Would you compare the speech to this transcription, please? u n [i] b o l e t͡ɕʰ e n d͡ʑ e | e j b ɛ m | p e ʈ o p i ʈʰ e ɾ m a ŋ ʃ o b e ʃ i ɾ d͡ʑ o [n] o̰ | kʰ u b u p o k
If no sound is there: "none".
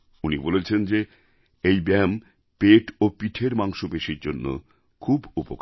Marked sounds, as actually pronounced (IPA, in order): i, nː

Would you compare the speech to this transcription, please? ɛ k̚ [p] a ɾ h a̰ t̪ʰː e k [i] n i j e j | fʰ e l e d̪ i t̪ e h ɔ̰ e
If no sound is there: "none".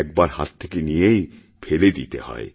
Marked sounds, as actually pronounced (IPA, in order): b, e

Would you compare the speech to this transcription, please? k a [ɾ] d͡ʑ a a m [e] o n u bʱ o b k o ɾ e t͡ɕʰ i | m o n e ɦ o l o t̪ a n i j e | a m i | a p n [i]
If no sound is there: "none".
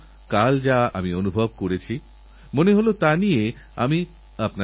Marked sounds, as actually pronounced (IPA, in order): l, i, a

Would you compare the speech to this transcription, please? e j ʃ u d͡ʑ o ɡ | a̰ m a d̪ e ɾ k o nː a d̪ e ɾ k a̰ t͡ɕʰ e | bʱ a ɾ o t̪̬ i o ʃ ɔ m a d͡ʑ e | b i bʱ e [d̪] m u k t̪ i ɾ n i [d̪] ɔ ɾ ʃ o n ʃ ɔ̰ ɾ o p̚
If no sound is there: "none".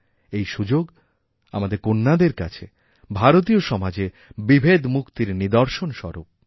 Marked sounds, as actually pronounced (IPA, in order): d̪, d̪

